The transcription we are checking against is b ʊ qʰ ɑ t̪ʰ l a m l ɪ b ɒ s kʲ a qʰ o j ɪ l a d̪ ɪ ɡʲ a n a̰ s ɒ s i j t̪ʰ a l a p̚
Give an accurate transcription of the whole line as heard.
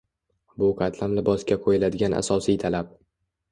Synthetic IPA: b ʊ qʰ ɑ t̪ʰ l a m l ɪ b ɒ s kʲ a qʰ o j ɪ l a d̪ ɪ ɡʲ a n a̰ s ɒ s i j t̪ʰ a l a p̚

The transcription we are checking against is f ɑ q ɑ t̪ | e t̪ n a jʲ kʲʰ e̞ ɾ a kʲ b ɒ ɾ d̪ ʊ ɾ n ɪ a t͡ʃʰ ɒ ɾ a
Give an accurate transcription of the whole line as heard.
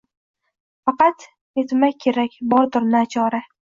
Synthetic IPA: f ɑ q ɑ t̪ | e t̪ m a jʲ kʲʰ e̞ ɾ a kʲ b ɒ ɾ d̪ ʊ ɾ n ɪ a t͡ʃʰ ɒ ɾ a

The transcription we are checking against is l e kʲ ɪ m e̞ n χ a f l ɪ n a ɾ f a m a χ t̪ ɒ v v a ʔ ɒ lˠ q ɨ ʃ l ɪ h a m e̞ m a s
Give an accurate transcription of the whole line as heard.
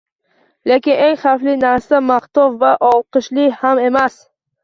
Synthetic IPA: l e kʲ ɪ n e̞ ŋ χ a f l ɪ n a ɾ s a m a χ t̪ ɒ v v a ʔ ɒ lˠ q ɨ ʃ l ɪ h a m e̞ m a s

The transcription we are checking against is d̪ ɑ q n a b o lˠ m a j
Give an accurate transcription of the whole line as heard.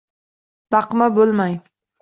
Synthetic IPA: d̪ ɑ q m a b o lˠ m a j

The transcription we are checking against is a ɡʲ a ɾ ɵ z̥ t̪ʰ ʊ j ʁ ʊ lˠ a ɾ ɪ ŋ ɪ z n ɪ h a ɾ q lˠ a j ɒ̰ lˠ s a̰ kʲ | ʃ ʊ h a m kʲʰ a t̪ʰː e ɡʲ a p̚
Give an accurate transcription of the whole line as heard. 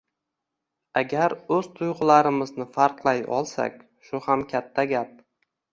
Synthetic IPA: a ɡʲ a ɾ ɵ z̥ t̪ʰ ʊ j ʁ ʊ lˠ a ɾ ɪ m ɪ z n ɪ f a ɾ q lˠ a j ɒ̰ lˠ s a̰ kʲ | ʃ ʊ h a m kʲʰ a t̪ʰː a ɡʲ a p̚

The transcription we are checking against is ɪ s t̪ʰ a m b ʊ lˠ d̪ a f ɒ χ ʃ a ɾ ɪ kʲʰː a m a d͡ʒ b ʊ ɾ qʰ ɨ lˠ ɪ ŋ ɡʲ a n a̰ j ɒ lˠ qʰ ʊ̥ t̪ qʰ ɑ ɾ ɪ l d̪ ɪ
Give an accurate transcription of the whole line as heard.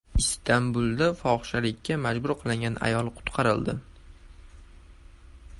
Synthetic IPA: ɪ s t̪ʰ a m b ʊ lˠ d̪ a f ɒ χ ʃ a l ɪ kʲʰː a m a d͡ʒ b ʊ ɾ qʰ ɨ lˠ ɪ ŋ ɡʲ a n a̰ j ɒ lˠ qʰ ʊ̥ t̪ qʰ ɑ ɾ ɪ l d̪ ɪ

